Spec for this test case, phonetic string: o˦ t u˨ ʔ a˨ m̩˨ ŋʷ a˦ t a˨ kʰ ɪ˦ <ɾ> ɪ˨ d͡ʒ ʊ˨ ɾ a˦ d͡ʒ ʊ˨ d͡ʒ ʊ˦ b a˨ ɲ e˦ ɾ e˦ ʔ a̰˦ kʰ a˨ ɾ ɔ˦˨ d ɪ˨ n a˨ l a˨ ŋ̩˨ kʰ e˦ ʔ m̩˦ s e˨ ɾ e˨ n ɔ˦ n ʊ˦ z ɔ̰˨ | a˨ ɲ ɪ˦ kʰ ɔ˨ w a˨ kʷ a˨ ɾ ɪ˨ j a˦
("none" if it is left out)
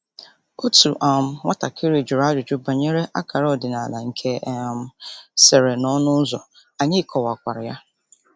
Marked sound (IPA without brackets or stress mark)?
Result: ɾ